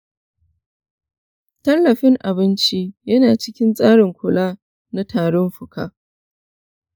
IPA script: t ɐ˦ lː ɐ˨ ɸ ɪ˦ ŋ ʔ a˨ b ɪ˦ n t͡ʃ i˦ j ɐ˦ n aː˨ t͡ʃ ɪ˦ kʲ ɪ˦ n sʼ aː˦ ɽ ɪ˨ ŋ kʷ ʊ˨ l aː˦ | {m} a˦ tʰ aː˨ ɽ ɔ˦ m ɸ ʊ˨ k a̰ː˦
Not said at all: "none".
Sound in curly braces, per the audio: n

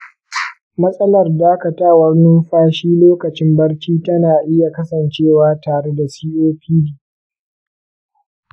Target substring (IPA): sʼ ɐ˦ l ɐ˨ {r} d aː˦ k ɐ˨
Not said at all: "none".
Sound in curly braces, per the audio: r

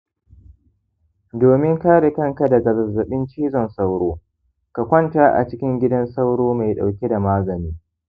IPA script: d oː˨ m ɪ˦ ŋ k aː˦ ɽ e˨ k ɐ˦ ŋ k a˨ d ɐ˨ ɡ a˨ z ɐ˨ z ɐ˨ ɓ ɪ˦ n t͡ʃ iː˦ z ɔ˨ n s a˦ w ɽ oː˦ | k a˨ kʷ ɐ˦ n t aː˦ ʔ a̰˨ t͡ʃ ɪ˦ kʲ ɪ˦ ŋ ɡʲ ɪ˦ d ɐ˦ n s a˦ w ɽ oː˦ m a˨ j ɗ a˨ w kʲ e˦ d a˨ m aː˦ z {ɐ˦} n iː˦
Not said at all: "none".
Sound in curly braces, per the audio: ɐ˨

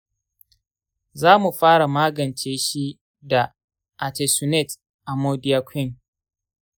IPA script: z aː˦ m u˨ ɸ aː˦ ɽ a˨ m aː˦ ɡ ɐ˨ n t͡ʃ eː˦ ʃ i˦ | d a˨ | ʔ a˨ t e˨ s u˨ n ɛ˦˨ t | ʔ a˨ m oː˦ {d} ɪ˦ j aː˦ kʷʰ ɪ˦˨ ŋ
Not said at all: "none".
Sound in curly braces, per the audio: d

